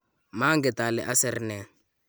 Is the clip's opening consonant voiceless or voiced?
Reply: voiced